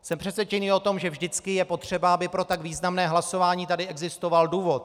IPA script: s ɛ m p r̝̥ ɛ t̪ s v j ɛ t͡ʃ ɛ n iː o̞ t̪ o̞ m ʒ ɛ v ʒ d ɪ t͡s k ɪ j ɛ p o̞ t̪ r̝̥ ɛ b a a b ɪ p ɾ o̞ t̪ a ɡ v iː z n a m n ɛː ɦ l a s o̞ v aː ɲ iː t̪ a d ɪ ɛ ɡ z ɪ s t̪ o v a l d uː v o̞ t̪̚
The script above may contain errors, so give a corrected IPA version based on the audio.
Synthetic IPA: s ɛ m p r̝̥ ɛ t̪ s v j ɛ t͡ʃ ɛ n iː o̞ t̪ o̞ m ʒ ɛ v ʒ d ɪ t͡s k ɪ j ɛ p o̞ t̪ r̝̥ ɛ b a a b ɪ p ɾ o̞ t̪ a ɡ v iː z n a m n ɛː ɦ l a s o̞ v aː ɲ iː t̪ a d ɪ ɛ ɡ z ɪ s t̪ o v a l d uː v o̞ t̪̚